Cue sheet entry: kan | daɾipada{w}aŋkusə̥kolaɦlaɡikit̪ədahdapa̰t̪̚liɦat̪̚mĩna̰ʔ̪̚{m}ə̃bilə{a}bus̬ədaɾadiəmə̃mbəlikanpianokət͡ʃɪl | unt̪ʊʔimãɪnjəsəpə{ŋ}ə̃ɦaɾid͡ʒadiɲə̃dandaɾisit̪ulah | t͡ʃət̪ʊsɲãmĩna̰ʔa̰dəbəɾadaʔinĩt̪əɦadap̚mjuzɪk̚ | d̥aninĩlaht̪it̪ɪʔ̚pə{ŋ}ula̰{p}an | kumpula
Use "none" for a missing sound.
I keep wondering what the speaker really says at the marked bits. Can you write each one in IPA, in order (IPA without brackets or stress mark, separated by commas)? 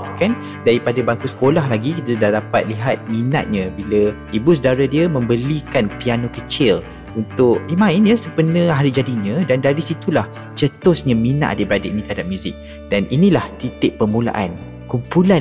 b, ɲ, i, n, m, ʔ